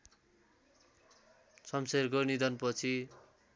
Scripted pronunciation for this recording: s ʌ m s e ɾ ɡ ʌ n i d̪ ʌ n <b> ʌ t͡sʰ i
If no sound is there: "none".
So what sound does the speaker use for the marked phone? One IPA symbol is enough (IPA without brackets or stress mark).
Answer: p